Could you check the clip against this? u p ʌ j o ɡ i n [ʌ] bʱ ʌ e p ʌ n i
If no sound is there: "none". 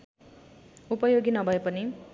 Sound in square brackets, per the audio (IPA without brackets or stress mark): ʌ